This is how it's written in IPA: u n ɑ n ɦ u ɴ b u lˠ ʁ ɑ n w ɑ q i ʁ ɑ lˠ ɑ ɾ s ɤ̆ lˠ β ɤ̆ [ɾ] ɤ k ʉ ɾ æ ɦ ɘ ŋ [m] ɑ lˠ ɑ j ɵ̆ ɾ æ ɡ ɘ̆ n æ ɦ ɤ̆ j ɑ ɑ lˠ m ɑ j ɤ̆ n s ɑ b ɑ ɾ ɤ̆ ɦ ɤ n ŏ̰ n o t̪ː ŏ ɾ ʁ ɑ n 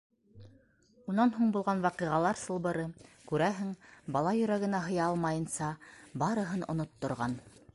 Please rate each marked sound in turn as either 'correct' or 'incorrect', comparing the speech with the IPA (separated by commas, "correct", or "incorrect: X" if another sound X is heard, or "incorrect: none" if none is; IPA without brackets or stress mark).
correct, incorrect: b